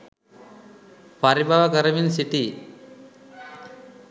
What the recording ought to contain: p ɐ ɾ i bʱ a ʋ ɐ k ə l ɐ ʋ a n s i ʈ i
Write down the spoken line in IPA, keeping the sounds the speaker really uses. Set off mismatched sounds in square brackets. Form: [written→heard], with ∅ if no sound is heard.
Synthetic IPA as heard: p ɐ ɾ i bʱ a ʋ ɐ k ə [l→ɾ] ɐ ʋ [a→i] n s i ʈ i